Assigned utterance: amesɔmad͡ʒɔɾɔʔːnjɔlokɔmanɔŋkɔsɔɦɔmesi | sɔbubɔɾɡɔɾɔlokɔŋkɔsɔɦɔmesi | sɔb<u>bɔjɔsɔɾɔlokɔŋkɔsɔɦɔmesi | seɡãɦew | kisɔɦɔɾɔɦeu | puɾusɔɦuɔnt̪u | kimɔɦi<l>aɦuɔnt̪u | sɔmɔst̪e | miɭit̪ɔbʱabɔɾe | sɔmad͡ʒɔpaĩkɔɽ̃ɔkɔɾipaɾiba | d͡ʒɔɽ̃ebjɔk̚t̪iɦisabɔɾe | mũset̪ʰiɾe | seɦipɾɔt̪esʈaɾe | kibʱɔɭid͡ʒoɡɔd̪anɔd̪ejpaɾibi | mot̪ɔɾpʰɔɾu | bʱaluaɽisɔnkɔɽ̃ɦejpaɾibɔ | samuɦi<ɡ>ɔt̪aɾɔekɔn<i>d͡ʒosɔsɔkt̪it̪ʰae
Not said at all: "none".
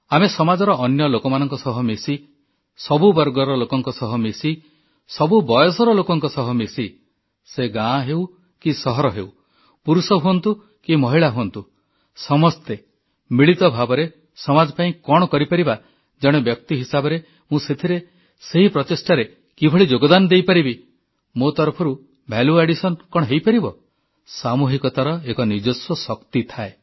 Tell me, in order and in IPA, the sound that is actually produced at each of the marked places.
u, ɭ, k, i

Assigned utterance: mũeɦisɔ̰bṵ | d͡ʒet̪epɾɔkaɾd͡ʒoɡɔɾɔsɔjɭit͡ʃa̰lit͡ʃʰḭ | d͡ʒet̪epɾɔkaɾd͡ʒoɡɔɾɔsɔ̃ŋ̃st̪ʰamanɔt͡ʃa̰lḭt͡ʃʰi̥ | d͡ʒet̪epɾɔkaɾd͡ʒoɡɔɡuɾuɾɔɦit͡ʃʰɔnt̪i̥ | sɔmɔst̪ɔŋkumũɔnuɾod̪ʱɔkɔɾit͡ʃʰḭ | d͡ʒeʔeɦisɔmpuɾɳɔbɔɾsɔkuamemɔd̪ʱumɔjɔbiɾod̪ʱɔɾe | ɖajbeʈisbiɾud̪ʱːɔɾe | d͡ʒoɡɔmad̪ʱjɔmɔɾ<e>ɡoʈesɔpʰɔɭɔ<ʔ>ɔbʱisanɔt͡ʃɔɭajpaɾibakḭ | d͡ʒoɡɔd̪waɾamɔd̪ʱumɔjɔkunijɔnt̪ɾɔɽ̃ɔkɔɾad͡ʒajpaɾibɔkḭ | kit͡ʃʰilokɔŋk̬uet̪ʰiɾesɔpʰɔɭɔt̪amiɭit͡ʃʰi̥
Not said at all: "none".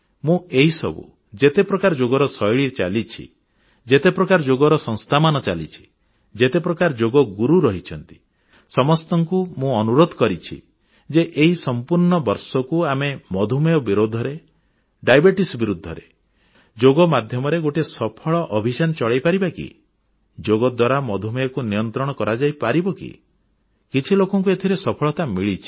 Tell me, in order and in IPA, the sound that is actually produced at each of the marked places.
e, ʔ

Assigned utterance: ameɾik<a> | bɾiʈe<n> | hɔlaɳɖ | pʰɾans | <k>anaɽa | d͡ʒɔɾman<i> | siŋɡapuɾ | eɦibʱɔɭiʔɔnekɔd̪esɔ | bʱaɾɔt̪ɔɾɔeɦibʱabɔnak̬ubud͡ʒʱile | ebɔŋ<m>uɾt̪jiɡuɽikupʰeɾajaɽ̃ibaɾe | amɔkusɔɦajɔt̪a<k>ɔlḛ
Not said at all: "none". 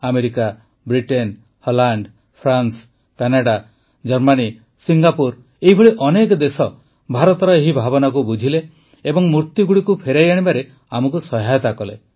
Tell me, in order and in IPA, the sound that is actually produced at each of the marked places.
a, n, k, i, m, k

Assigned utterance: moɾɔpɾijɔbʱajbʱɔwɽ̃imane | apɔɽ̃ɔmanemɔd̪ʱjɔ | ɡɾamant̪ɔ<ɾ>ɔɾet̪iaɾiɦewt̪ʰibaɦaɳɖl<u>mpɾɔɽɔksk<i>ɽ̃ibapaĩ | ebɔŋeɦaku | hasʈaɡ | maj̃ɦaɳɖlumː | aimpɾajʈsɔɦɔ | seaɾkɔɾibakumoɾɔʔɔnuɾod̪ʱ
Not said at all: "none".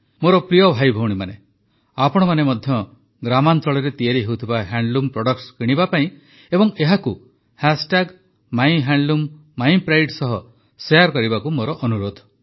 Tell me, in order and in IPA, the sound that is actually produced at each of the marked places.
ɭ, u, i

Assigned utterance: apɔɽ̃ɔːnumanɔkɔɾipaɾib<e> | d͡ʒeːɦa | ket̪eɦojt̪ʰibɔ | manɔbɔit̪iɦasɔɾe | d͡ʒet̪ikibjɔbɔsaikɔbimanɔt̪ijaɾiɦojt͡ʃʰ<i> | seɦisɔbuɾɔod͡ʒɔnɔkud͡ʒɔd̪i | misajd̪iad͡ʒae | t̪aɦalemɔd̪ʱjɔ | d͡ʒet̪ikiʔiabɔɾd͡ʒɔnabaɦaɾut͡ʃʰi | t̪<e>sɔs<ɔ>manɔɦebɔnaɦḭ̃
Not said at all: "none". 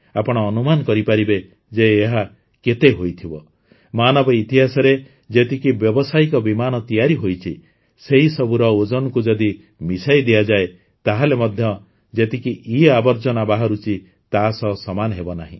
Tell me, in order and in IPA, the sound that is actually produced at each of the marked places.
e, i, a, ɔ

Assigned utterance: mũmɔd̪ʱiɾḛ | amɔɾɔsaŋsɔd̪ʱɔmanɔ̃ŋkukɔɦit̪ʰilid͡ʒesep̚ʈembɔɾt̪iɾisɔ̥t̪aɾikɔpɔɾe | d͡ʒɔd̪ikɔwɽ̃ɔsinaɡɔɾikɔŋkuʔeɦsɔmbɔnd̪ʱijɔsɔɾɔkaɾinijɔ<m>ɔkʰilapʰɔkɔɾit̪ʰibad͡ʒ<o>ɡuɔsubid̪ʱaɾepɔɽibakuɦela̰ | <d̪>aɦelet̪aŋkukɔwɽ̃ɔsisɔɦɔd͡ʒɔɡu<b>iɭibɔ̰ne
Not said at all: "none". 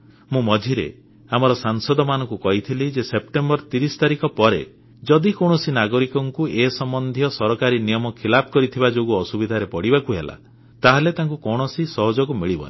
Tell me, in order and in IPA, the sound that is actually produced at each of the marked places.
m, o, t̪, m

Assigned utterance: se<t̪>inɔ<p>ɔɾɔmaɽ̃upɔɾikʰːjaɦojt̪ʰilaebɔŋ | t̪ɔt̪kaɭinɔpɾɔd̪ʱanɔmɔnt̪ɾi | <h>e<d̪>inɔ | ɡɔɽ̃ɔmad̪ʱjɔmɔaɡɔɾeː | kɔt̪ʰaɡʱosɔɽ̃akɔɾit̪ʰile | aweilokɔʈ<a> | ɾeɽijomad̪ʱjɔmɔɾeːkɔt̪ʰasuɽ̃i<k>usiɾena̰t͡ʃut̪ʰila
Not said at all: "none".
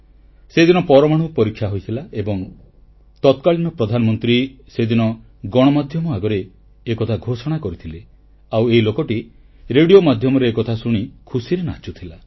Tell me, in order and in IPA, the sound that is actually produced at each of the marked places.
d̪, p, s, d̪, i, kʰ

